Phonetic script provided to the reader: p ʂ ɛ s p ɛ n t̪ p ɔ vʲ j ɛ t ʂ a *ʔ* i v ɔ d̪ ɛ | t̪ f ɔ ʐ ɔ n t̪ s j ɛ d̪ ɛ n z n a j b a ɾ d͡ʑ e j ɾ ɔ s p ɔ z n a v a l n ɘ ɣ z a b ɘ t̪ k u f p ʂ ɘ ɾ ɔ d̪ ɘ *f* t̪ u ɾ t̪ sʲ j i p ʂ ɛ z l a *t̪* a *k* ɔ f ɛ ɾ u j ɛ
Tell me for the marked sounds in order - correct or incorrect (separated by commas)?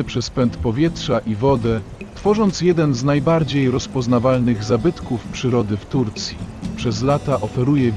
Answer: correct, correct, correct, incorrect